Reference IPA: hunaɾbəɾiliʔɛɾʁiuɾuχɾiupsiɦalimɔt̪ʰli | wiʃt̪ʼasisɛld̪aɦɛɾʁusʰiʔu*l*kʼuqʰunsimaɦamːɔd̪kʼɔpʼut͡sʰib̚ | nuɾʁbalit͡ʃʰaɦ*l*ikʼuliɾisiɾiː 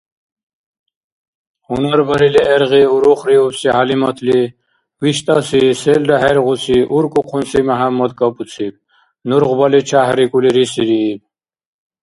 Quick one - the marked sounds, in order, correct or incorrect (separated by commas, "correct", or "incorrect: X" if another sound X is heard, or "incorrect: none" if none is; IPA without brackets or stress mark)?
incorrect: ɾ, incorrect: ɾ